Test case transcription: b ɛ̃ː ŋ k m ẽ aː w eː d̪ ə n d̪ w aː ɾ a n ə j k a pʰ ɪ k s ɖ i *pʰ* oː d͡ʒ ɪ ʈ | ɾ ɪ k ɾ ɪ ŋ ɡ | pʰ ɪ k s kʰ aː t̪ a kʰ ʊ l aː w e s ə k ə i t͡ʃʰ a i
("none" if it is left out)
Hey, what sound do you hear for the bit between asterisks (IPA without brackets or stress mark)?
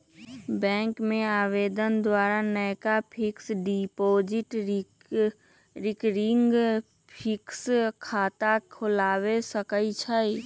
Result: p